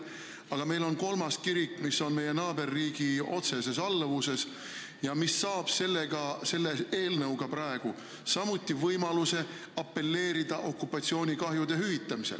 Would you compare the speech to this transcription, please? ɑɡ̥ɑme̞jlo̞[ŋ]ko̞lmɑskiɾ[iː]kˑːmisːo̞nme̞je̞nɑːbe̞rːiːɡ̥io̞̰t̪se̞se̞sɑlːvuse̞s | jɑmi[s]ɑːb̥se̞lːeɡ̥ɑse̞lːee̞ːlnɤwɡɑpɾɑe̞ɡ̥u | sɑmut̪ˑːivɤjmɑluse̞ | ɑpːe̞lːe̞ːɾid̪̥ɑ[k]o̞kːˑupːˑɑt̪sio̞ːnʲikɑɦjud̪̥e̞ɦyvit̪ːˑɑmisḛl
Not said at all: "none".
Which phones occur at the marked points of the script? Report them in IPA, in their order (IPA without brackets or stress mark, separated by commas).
n, i, sː, ʔ